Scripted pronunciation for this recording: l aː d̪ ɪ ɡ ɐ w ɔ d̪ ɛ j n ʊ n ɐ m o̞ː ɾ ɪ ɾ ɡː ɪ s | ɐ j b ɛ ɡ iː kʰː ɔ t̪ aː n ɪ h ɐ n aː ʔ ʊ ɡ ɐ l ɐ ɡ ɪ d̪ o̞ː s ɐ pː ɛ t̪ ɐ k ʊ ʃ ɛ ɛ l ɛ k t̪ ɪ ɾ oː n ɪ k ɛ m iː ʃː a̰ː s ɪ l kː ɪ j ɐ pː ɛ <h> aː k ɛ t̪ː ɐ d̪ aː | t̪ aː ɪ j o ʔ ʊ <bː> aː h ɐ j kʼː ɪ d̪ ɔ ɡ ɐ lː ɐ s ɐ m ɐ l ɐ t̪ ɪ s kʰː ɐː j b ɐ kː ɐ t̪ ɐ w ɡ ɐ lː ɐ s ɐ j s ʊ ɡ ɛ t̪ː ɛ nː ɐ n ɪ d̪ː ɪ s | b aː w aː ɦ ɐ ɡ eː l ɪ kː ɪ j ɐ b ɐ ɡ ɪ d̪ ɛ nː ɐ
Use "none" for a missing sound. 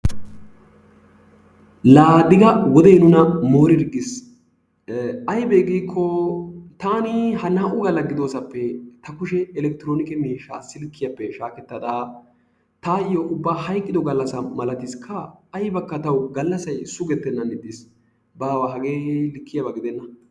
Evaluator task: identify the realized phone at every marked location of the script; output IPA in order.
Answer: ʃ, bː

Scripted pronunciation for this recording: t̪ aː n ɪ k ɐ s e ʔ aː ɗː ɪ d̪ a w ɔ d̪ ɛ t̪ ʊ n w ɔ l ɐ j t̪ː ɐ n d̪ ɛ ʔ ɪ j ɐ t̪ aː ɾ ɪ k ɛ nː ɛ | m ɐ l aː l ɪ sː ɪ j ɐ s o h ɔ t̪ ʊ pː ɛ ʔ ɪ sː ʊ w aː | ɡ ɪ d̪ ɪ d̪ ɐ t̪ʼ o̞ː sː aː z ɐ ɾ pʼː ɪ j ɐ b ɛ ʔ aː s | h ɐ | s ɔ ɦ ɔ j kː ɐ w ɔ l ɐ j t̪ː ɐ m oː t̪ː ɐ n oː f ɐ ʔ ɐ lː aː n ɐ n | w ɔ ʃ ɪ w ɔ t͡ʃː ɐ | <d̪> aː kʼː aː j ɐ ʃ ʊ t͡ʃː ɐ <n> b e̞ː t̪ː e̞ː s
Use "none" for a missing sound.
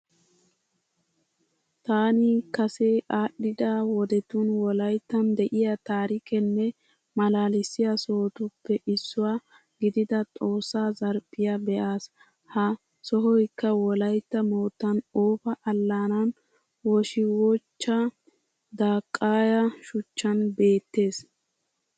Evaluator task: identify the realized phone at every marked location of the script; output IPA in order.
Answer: d̪, n

